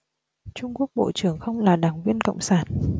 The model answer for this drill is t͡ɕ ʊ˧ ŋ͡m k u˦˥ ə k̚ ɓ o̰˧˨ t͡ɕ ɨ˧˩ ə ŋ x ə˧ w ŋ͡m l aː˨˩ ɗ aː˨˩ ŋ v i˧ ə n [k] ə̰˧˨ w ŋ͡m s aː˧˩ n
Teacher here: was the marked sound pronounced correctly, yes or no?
yes